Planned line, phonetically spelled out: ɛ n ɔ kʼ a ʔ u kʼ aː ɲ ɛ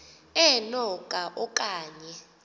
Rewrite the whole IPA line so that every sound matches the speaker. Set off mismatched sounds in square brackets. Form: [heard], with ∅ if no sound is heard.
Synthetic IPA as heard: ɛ n ɔ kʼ a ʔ [ɔ] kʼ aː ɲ ɛ

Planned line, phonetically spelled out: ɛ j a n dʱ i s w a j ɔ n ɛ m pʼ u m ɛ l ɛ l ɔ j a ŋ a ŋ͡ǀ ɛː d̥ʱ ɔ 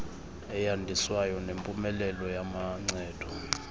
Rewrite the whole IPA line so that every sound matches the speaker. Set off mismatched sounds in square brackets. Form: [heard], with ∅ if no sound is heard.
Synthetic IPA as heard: ɛ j a n dʱ i s w a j ɔ n [e] m pʼ u m ɛ l ɛ l ɔ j a [m] a ŋ͡ǀ ɛː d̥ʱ ɔ

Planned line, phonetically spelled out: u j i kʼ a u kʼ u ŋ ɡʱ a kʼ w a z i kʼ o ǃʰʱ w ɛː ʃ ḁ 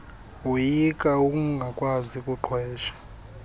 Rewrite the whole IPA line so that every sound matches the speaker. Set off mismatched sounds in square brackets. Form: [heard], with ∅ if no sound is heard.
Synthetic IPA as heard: u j i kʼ a u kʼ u ŋ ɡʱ a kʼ w a z i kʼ [u] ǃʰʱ w ɛː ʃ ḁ

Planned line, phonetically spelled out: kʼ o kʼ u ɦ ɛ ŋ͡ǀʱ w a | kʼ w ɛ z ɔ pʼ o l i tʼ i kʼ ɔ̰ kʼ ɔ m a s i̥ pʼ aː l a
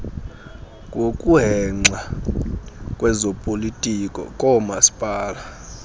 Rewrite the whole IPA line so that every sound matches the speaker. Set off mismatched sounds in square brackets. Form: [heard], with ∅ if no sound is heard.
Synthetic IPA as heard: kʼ o kʼ u ɦ ɛ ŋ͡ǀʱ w a | kʼ w ɛ z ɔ pʼ o l i tʼ i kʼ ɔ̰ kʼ ɔ m a s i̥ pʼ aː l a

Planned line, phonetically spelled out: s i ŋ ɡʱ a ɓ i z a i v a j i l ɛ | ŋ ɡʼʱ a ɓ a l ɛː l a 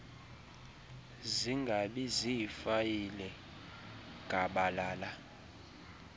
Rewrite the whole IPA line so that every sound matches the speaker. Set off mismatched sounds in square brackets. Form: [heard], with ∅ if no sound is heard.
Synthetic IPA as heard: [z] i ŋ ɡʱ a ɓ i z [i] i [f] a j i l ɛ | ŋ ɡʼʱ a ɓ a l [aː] l a

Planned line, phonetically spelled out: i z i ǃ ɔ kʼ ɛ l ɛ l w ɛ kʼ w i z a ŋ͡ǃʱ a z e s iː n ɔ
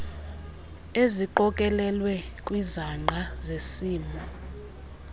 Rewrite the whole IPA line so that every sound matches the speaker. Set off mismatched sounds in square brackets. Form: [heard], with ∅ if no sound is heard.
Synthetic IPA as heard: [e] z i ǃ ɔ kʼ ɛ l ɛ l w ɛ kʼ w i z a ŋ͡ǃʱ a z e s iː [m] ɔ

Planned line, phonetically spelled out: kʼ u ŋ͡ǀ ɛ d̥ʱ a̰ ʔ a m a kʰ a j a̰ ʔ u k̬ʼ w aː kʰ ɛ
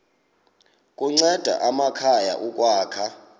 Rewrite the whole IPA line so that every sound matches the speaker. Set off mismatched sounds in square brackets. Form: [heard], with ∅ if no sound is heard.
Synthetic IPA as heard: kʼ u ŋ͡ǀ ɛ d̥ʱ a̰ ʔ a m a kʰ a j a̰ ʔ u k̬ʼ w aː kʰ [a]

